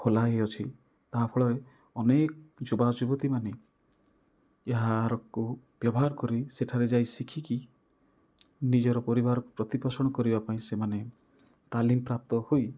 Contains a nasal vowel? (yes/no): yes